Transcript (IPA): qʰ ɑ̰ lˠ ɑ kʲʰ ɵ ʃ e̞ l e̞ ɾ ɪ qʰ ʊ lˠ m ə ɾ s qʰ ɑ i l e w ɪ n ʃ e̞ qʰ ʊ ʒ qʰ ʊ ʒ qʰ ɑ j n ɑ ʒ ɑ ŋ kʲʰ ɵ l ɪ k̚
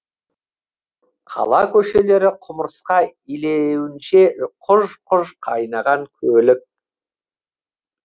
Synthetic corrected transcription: qʰ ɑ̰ lˠ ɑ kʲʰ ɵ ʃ e̞ l e̞ ɾ ɪ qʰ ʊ m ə ɾ s q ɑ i l e w ɪ n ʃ e̞ qʰ ʊ ʒ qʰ ʊ ʒ qʰ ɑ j n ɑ ʁ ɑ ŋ kʲʰ ɵ l ɪ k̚